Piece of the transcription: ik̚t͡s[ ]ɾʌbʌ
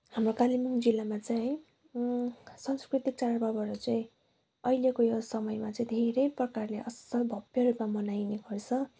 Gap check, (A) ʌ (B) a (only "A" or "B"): B